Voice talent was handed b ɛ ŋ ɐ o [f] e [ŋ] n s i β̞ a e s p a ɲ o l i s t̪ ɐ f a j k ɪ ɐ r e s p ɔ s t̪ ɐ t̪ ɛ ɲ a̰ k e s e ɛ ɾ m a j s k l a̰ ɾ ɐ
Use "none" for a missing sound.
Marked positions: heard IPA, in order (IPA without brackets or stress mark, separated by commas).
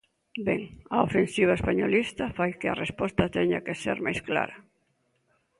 f, none